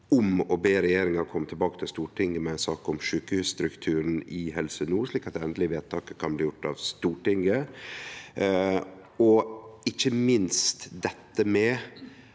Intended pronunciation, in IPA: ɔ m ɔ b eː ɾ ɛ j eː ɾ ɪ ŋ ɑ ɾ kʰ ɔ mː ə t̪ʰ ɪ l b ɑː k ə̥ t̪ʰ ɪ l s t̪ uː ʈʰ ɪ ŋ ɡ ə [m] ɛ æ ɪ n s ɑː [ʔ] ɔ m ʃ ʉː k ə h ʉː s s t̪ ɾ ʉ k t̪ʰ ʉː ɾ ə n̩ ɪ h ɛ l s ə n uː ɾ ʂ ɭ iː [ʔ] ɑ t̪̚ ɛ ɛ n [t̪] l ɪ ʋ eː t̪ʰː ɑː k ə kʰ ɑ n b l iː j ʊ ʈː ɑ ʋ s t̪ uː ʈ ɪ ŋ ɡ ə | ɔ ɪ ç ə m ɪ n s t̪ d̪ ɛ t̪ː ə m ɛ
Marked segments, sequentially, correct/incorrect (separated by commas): correct, incorrect, incorrect, incorrect